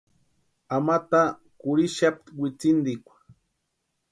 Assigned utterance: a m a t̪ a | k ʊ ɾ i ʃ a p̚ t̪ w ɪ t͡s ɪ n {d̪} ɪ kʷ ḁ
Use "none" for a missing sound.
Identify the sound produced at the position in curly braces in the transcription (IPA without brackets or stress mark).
d̪